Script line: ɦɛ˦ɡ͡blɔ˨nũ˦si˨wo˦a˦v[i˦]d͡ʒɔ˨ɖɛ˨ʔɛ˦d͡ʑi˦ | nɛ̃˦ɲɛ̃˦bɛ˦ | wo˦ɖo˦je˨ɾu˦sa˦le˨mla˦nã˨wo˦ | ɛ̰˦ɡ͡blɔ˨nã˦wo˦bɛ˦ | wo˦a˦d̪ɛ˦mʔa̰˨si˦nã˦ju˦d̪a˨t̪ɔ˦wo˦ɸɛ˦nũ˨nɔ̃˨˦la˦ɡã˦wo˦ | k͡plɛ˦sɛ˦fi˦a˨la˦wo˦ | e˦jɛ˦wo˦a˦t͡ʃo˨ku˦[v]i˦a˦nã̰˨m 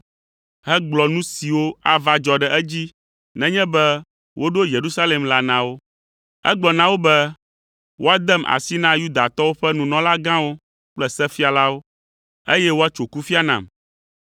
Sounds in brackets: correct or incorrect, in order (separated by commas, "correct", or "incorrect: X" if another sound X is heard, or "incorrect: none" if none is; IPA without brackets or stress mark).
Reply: incorrect: a˦, incorrect: f